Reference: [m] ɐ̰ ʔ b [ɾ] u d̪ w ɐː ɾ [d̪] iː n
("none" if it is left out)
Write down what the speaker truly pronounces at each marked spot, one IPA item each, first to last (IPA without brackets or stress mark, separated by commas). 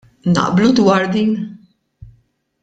n, l, d̪